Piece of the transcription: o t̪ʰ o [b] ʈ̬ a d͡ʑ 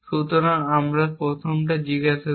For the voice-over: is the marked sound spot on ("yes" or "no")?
no